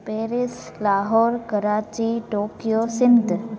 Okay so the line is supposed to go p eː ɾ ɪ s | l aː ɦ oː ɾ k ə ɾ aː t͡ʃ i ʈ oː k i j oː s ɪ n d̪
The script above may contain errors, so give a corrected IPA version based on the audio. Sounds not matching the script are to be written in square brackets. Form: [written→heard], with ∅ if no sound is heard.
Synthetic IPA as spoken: p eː ɾ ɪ s | l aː ɦ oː ɾ k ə ɾ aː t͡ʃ i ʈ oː k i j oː s ɪ n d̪